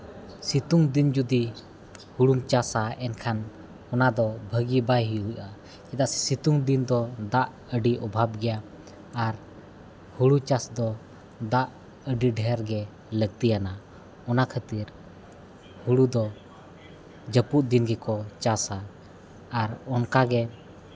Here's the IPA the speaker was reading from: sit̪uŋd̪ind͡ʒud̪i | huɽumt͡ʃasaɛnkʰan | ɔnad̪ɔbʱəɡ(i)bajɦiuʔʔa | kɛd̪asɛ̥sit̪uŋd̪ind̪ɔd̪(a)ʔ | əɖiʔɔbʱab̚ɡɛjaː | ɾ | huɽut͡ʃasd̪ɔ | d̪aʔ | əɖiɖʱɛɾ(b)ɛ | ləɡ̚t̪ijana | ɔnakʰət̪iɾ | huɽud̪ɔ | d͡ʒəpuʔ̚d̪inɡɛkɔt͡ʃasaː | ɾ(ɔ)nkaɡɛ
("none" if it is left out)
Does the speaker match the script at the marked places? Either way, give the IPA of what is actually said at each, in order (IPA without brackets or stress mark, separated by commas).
i, a, ɡ, ɔ